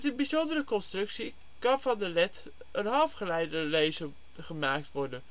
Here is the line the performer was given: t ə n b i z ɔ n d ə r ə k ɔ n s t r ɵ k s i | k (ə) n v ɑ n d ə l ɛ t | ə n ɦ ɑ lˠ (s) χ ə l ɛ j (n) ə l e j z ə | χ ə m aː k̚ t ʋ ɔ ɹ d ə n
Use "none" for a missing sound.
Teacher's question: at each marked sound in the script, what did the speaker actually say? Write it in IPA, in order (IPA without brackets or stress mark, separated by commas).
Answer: ɑ, f, d